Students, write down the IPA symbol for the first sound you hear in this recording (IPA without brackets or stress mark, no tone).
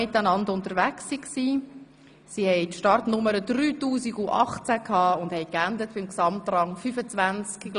ɪ